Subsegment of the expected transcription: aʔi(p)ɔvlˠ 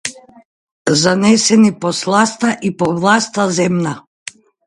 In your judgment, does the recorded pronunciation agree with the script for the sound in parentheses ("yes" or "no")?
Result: yes